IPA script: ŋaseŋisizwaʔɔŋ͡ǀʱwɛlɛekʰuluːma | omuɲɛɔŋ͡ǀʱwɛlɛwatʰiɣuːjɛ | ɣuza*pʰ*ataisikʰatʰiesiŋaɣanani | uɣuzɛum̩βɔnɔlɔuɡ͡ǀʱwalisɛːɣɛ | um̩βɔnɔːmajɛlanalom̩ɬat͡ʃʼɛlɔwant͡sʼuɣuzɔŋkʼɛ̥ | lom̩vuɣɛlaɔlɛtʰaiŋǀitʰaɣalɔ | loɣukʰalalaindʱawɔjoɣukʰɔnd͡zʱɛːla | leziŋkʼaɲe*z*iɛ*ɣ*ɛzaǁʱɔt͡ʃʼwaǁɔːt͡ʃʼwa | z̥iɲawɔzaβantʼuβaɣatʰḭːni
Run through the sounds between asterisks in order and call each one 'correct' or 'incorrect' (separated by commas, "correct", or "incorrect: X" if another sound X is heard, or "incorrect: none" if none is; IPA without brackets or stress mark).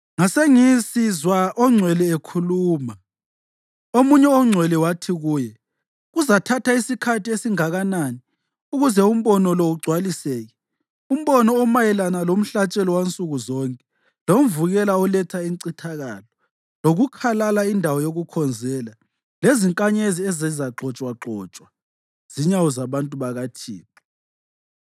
incorrect: tʰ, correct, incorrect: z